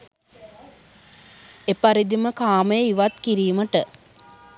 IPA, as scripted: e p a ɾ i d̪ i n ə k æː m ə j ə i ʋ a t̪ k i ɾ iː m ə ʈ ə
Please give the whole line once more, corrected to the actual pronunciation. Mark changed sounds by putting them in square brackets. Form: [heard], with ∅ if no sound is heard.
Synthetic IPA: e p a ɾ i d̪ i [m] ə k [aː] m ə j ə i ʋ a t̪ k i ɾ iː m ə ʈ ə